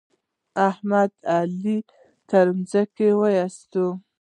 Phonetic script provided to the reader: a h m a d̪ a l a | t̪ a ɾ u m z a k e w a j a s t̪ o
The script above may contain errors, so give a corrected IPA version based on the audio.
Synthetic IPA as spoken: a h m a d̪ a l i | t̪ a ɾ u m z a k e w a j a s t̪ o